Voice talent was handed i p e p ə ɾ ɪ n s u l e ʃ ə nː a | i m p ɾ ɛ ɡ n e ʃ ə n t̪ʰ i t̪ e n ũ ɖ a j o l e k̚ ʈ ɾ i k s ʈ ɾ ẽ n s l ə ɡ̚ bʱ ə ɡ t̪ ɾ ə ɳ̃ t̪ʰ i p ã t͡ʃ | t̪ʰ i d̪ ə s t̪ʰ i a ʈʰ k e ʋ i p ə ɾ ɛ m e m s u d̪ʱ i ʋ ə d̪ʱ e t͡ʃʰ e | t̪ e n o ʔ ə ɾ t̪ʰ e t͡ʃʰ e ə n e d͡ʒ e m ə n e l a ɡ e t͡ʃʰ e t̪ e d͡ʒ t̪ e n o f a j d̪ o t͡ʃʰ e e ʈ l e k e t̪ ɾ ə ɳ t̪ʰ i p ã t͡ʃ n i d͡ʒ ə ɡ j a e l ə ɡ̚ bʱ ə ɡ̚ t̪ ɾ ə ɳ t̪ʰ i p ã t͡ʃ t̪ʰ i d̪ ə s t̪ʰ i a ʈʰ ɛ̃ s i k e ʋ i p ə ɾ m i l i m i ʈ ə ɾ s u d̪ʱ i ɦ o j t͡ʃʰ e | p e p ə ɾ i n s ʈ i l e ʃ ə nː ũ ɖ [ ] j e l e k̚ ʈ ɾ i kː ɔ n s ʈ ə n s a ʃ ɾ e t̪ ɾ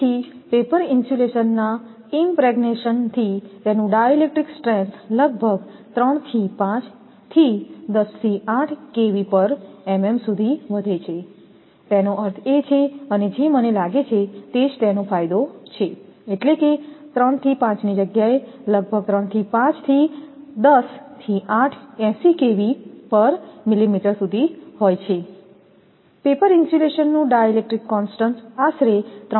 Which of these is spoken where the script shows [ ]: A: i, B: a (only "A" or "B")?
B